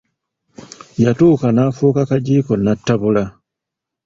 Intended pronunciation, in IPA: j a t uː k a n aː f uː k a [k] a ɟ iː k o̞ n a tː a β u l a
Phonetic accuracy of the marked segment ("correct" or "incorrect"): correct